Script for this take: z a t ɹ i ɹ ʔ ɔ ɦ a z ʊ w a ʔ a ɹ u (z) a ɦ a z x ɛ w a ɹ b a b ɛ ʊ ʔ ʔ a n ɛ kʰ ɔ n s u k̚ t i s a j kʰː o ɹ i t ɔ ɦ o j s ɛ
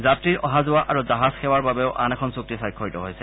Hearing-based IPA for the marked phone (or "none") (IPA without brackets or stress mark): z